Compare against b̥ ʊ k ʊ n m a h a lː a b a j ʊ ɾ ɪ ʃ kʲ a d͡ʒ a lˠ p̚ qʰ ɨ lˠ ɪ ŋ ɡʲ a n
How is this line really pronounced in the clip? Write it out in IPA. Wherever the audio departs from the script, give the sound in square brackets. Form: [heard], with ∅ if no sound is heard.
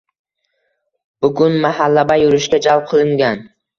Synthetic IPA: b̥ ʊ [ɡ] ʊ n m a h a lː a b a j ʊ ɾ ɪ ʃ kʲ a d͡ʒ a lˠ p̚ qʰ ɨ lˠ ɪ ŋ ɡʲ a n